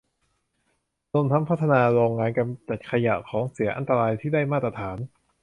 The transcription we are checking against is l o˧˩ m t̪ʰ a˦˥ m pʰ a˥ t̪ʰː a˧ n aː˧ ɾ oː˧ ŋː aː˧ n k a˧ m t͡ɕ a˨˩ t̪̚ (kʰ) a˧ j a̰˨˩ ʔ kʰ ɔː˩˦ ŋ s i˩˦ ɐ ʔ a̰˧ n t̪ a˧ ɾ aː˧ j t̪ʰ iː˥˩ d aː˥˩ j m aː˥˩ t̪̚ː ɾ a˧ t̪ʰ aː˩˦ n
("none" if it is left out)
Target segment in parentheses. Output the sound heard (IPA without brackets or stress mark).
kʰ